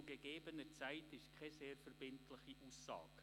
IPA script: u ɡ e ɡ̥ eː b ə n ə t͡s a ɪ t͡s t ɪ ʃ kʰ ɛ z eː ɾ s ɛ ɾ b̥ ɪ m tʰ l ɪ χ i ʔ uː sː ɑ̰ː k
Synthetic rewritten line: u ɡ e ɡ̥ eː b ə n ə t͡s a ɪ t ɪ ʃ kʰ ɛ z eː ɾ f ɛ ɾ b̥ ɪ n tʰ l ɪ χ i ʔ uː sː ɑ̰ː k